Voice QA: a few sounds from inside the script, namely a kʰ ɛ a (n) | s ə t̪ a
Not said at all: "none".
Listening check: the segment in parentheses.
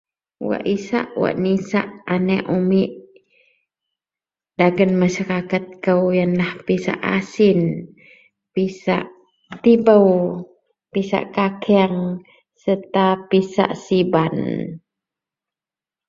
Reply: ŋ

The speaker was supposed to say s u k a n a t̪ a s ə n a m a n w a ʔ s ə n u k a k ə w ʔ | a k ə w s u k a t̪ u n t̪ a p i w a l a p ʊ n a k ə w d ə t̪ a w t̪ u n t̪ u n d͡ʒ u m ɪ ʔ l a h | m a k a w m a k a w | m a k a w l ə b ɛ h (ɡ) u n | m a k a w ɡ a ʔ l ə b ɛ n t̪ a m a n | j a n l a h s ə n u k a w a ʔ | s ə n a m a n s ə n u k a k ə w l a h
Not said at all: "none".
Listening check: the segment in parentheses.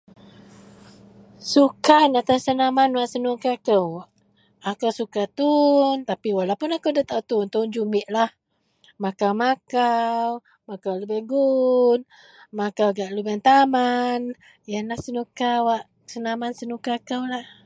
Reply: ɡ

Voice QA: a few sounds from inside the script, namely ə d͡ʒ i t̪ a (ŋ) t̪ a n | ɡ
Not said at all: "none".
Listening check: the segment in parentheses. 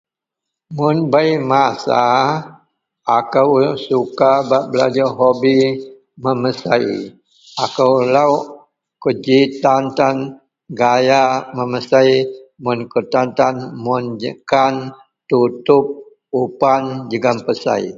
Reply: n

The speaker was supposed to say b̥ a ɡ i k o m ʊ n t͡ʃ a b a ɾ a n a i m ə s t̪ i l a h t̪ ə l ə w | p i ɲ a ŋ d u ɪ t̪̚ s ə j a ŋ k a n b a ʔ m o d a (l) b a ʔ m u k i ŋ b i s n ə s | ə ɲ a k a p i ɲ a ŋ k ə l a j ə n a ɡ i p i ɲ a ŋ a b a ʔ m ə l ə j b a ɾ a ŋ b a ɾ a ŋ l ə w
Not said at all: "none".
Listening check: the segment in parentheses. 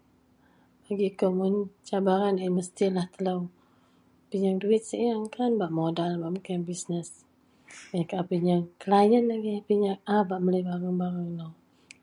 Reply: l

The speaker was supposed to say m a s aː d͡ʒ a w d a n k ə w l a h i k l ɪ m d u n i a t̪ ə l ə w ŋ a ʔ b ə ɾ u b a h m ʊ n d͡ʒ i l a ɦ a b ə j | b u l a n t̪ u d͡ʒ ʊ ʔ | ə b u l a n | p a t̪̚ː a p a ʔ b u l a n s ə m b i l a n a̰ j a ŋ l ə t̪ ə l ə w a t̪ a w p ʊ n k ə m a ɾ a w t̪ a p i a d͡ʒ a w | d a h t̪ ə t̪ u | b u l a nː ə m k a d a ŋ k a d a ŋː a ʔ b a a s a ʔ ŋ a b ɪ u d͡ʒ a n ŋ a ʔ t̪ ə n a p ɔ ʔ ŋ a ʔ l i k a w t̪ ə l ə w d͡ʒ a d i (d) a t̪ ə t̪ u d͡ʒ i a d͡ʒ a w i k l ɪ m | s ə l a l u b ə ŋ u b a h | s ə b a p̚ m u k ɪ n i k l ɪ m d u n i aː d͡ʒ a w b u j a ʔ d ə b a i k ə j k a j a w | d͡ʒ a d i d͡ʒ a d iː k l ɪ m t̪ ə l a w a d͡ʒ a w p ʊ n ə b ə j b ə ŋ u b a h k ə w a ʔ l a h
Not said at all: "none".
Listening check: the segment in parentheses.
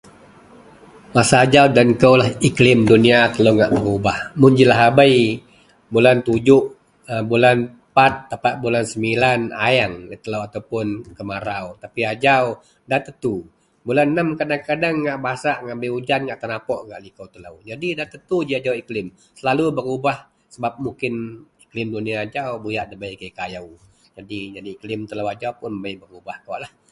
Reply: d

